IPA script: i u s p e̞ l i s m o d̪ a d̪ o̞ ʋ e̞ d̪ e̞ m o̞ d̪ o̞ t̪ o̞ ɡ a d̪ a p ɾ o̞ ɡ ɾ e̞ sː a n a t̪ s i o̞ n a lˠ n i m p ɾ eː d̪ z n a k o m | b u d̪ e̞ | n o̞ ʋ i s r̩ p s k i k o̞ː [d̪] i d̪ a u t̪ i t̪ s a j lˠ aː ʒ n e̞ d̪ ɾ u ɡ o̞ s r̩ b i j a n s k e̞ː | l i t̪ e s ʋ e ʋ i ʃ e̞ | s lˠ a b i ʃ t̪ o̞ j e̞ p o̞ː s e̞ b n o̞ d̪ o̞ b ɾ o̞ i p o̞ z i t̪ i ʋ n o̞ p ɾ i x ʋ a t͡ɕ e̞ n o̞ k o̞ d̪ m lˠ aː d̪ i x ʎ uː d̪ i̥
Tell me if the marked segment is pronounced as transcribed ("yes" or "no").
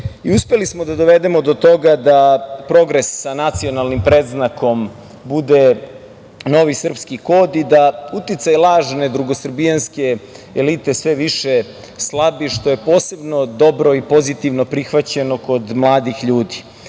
yes